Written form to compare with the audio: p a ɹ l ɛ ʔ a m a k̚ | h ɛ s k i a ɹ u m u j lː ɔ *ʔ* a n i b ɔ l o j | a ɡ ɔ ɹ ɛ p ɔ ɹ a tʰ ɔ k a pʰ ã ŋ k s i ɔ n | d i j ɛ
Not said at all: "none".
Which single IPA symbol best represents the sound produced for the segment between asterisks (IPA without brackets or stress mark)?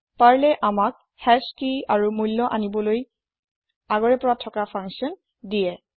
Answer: ʔ